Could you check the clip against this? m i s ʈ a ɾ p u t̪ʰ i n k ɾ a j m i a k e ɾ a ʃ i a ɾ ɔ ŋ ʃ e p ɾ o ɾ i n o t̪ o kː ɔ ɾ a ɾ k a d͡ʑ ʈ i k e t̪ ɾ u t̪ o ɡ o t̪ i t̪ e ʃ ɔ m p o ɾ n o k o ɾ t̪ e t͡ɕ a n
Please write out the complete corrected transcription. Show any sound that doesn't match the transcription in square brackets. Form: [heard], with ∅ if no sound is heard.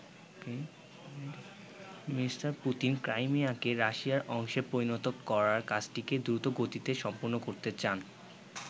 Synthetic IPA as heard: m i s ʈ a ɾ p u [t̪] i n k ɾ a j m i a k e ɾ a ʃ i a ɾ ɔ ŋ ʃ e p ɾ o ɾ i n o t̪ o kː ɔ ɾ a ɾ k a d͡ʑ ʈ i k e [d̪] ɾ u t̪ o ɡ o t̪ i t̪ e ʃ ɔ m p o ɾ n o k o ɾ t̪ e t͡ɕ a n